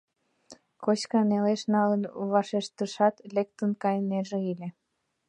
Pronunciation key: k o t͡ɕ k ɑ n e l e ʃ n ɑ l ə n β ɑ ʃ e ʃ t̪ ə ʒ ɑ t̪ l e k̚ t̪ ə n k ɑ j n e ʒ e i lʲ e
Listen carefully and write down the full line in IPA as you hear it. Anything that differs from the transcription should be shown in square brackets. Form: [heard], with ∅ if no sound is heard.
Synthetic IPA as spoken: k o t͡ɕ k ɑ n e l e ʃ n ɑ l ə n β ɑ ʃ e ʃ t̪ ə [ʃ] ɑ t̪ l e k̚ t̪ ə n k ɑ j n e ʒ e i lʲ e